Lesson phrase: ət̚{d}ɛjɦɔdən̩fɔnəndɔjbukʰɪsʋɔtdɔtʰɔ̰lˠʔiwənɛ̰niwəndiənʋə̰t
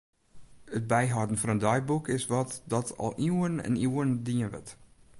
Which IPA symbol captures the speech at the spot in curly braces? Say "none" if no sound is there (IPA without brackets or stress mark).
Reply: b